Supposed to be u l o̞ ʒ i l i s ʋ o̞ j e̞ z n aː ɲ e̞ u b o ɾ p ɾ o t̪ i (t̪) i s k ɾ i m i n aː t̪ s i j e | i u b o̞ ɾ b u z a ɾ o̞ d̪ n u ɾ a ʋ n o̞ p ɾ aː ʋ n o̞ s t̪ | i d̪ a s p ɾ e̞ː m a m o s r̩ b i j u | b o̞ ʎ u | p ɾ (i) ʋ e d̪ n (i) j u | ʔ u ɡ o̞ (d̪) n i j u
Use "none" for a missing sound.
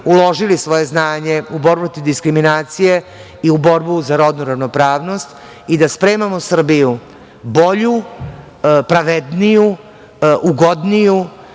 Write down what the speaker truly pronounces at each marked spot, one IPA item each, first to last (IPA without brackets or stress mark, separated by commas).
d̪, a, i, d̪